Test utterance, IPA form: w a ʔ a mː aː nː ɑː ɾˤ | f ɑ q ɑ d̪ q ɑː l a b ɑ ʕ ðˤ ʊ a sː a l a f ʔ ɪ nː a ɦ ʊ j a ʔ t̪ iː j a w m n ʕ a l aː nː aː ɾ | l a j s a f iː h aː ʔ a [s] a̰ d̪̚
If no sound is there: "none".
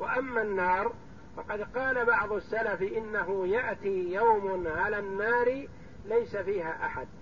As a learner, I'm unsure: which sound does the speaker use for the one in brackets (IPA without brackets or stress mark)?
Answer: ħ